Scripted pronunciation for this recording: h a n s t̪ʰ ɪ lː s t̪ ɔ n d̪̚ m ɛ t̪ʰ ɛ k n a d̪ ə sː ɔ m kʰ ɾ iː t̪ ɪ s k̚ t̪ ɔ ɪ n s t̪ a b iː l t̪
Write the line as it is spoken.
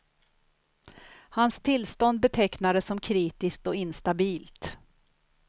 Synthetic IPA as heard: h a n s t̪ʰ ɪ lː s t̪ ɔ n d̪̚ b ɛ t̪ʰ ɛ k n a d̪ ə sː ɔ m kʰ ɾ iː t̪ ɪ s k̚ t̪ ɔ ɪ n s t̪ a b iː l t̪